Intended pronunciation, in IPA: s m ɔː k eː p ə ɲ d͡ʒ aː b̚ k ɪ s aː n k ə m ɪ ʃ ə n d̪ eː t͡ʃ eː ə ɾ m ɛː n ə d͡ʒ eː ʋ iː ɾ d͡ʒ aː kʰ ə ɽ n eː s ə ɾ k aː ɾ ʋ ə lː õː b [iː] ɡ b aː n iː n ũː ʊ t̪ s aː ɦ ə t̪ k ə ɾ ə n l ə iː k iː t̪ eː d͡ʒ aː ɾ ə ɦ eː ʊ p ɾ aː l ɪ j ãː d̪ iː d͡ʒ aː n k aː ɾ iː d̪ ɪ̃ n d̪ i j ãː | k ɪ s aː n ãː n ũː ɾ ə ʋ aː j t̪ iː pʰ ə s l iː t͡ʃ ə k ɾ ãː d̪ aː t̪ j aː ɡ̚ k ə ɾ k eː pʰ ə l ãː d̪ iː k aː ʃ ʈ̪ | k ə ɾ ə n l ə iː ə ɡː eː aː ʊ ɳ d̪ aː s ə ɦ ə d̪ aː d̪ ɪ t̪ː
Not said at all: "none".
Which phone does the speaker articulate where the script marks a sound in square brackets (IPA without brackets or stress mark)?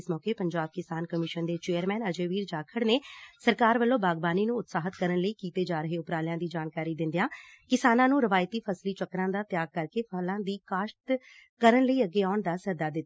aː